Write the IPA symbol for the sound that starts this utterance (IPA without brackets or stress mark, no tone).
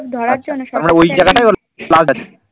d̪ʱ